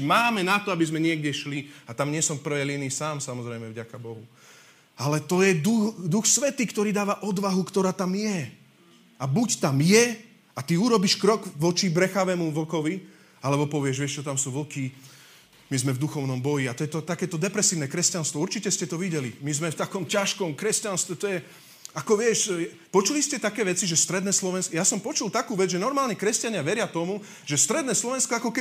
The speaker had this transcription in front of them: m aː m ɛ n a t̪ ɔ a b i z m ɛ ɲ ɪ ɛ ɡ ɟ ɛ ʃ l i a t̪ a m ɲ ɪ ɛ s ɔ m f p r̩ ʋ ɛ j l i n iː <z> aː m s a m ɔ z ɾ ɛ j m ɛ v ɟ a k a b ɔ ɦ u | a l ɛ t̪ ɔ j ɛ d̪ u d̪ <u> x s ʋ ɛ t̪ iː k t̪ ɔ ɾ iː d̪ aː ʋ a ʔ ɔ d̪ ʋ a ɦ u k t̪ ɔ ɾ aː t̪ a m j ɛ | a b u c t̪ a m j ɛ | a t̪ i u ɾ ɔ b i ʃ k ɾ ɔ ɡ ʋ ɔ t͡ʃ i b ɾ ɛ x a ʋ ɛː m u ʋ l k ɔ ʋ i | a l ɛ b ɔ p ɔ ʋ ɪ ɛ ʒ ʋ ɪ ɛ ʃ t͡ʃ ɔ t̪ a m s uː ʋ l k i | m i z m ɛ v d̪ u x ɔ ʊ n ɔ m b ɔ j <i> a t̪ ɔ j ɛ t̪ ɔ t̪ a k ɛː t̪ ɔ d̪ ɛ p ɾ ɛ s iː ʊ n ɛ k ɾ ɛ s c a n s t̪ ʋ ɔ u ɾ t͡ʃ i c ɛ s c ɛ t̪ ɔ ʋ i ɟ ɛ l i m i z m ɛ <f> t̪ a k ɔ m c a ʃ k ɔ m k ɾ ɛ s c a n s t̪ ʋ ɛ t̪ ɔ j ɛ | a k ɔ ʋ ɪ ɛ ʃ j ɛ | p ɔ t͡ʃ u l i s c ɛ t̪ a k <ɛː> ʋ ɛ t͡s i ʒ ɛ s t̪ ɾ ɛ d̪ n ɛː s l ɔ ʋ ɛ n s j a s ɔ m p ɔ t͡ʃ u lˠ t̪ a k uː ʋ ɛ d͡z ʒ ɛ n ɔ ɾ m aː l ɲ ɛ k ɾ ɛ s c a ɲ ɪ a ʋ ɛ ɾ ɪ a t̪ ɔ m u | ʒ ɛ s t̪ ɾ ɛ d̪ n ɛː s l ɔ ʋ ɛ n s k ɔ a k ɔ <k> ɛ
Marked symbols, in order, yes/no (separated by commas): no, yes, yes, yes, yes, yes